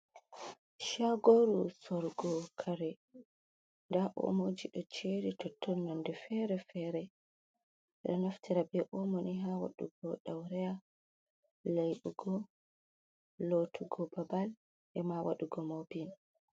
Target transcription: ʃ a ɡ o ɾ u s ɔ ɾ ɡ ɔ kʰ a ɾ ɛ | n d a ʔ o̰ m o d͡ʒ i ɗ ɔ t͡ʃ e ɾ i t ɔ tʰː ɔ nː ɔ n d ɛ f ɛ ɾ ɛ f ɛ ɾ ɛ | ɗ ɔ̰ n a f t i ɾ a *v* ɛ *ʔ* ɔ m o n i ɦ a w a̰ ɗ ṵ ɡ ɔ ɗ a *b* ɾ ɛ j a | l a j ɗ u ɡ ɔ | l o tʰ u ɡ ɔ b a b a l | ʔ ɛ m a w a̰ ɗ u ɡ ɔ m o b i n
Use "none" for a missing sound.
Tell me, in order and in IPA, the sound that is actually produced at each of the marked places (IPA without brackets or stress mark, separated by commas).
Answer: b, ʔ, w